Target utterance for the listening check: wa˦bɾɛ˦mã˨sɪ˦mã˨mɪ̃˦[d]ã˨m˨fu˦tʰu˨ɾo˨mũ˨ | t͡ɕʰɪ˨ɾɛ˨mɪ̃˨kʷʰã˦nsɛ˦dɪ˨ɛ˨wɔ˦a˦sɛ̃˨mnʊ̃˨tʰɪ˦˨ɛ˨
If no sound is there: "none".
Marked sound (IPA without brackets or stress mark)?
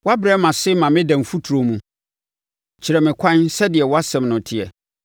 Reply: d